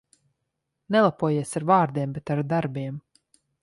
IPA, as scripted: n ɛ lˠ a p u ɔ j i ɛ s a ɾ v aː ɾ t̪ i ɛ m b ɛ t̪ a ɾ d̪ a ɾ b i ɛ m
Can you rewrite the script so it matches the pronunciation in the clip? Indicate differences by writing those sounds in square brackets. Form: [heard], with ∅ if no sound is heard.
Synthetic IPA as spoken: n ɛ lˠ a p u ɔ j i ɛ s a ɾ v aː ɾ [d̪] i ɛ m b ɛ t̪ a ɾ d̪ a ɾ b i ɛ m